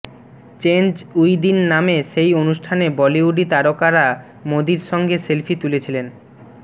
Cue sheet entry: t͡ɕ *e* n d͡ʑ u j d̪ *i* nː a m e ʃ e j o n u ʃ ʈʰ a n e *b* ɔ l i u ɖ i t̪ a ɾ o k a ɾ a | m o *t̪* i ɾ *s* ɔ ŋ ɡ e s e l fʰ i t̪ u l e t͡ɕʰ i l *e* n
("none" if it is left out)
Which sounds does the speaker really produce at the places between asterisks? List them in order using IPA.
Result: e, i, b, d̪, ʃ, e

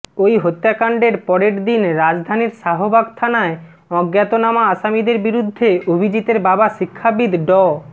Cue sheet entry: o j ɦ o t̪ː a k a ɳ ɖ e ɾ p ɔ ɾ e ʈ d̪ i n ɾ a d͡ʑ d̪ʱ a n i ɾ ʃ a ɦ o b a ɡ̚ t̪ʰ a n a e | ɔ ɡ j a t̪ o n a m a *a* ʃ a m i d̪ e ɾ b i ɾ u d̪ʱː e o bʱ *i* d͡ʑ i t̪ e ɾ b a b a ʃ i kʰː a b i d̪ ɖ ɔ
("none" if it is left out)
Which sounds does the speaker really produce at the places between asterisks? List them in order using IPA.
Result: a, i

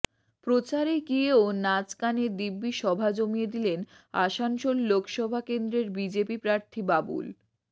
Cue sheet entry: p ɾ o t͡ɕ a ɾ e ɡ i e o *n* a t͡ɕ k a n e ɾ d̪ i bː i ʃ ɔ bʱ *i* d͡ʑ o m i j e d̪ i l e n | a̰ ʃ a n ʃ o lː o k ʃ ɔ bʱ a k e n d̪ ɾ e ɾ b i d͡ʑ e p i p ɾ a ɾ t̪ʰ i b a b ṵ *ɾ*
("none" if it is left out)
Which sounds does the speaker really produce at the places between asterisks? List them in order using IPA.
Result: n, a, l

